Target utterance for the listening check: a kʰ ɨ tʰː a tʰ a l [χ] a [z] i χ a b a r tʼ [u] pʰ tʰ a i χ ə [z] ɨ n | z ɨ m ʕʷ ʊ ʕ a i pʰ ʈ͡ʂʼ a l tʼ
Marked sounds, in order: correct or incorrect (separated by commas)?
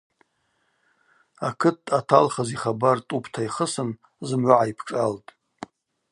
correct, correct, correct, incorrect